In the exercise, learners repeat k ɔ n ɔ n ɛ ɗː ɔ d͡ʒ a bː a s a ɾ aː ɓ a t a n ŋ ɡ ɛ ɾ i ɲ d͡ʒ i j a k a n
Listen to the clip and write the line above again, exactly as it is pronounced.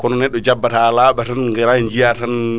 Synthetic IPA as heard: k ɔ n ɔ n ɛ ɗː ɔ d͡ʒ a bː a t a l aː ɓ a t a n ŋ ɡ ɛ ɾ a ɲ d͡ʒ i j a t a n